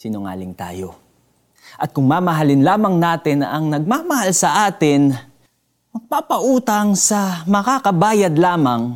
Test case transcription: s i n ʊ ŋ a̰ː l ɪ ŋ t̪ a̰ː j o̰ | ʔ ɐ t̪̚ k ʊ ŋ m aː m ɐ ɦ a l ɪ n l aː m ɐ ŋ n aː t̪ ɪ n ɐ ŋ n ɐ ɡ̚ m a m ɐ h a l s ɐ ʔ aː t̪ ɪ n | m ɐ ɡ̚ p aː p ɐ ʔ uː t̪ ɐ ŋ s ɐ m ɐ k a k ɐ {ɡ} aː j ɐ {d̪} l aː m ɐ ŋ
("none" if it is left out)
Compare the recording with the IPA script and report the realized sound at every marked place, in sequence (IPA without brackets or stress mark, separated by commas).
b, d̪